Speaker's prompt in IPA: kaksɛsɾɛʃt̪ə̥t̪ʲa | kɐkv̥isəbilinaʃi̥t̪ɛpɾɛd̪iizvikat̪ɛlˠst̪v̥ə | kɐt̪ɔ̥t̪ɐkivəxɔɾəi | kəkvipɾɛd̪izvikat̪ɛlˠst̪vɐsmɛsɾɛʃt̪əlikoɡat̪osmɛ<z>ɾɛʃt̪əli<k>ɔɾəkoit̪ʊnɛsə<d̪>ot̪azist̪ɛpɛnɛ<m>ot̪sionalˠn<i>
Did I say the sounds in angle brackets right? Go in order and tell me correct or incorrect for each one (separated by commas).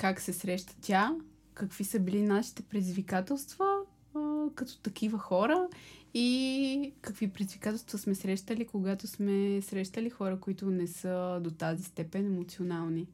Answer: incorrect, incorrect, correct, correct, correct